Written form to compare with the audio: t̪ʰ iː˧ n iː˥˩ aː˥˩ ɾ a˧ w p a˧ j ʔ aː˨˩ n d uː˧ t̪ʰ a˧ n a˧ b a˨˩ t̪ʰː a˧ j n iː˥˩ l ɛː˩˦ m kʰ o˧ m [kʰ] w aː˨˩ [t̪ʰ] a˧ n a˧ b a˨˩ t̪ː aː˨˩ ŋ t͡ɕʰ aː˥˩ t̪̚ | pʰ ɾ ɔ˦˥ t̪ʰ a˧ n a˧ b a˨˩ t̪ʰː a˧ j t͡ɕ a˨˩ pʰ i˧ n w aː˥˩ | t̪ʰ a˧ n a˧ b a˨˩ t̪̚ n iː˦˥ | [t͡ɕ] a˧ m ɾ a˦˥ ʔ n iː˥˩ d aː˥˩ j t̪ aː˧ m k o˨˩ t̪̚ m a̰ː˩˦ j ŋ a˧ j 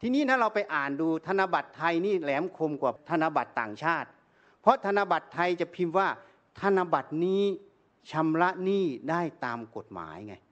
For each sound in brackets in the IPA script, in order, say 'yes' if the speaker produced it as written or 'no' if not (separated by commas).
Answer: no, yes, no